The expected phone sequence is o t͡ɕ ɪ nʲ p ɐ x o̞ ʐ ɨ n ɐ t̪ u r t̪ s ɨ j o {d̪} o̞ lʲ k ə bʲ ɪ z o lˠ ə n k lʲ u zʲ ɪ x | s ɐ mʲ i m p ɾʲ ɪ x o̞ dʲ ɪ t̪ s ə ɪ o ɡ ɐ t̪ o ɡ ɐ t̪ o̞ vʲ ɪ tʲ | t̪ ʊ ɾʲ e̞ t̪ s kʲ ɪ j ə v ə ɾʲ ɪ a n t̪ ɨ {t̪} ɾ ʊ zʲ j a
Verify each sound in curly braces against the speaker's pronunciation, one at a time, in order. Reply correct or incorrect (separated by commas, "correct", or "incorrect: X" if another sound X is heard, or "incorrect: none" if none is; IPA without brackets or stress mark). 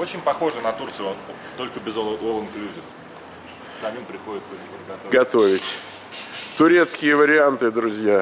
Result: incorrect: t̪, incorrect: d̪